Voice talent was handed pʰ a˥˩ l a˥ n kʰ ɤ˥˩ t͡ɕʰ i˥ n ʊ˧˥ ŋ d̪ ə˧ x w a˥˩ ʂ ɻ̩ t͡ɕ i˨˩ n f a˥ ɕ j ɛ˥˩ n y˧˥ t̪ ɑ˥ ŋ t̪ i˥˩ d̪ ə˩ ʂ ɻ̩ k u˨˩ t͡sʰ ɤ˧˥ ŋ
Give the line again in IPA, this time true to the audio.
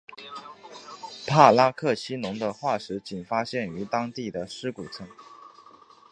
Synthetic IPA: pʰ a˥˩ l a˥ kʰ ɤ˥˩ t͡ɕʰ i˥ n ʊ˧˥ ŋ d̪ ə˧ x w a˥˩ ʂ ɻ̩ t͡ɕ i˨˩ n f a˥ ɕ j ɛ˥˩ n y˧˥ t̪ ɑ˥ ŋ t̪ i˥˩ d̪ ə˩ ʂ ɻ̩ k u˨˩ t͡sʰ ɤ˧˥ ŋ